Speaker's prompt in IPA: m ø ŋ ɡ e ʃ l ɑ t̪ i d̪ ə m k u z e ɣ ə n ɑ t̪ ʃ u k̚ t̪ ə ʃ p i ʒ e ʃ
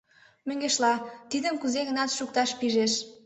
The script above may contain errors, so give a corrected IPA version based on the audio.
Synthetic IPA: m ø ŋ ɡ e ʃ l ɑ t̪ i d̪ ə m k u z e ɣ ə n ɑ t̪ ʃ u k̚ t̪ ɑ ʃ p i ʒ e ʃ